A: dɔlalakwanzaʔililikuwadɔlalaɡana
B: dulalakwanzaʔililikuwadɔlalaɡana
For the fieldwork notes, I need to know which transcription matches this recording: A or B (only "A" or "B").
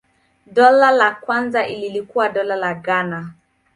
A